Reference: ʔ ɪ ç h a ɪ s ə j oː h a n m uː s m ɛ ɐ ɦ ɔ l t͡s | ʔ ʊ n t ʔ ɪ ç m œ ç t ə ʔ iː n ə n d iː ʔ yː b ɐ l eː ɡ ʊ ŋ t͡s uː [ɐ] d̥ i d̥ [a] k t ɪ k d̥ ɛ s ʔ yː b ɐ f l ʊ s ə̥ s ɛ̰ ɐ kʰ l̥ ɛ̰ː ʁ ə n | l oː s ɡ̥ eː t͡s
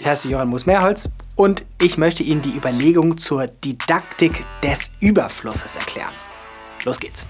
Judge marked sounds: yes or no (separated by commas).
yes, yes